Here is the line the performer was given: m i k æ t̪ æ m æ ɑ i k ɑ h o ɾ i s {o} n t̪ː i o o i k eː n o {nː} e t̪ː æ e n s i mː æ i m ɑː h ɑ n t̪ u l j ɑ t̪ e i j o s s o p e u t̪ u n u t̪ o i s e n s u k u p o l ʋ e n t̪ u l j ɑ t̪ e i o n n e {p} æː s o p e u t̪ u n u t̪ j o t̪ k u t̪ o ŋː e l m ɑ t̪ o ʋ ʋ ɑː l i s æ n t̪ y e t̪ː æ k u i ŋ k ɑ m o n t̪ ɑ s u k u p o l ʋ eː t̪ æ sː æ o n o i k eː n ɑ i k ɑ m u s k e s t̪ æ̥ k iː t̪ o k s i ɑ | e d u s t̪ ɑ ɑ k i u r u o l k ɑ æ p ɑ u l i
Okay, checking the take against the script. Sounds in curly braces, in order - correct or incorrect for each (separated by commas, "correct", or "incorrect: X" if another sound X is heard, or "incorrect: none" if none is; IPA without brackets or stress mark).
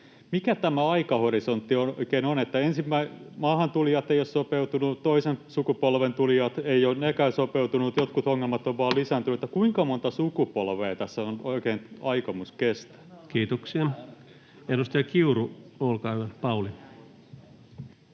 correct, incorrect: n, incorrect: k